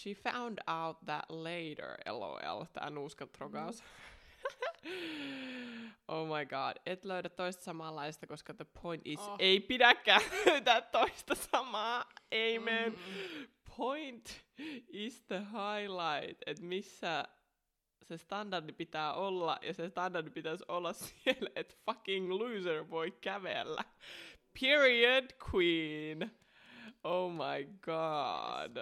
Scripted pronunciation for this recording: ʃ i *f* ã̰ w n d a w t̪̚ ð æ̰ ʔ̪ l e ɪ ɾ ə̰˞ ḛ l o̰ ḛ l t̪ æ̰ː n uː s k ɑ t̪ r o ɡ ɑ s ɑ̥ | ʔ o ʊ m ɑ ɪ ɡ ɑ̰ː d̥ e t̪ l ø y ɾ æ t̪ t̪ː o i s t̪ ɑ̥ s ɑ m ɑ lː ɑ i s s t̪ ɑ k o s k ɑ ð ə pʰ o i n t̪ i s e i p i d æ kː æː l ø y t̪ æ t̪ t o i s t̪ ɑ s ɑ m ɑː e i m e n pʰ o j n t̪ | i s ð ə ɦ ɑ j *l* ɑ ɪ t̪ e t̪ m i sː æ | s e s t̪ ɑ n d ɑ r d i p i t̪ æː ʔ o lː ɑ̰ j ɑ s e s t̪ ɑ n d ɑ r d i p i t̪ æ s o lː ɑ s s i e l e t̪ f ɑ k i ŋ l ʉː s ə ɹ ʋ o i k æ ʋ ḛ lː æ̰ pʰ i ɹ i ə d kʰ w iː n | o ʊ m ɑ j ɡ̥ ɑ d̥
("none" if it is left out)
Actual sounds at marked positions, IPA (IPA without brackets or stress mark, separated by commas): f, l